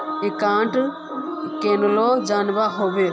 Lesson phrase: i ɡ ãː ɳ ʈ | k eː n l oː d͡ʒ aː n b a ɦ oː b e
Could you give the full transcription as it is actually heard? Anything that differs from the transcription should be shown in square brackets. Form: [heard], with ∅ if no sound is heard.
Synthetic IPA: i [k] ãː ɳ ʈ | k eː n l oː d͡ʒ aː n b a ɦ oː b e